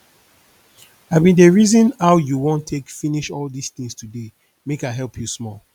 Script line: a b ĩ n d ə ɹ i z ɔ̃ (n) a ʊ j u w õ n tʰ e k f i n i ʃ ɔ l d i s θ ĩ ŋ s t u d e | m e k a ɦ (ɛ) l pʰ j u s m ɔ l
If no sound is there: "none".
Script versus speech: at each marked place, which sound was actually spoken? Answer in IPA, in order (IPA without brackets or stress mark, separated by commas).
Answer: n, ɛ